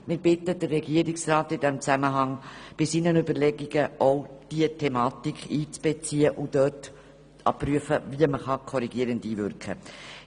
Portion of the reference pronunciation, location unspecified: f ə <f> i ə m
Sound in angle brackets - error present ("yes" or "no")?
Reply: yes